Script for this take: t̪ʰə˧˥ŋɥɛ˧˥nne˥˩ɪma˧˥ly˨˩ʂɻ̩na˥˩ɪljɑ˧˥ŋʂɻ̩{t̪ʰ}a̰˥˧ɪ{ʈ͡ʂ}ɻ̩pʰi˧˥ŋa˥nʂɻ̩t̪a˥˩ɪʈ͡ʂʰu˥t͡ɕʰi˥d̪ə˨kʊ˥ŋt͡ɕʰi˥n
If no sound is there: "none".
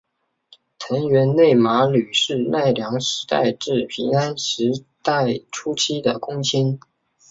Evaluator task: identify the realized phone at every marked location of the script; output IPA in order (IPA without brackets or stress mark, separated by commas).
t̪, ʈ͡ʂ